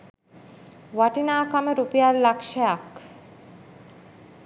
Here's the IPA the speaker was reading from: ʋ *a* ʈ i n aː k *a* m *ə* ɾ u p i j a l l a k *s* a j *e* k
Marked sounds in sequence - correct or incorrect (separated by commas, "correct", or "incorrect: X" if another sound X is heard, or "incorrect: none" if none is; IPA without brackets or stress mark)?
correct, correct, correct, incorrect: ʃ, incorrect: a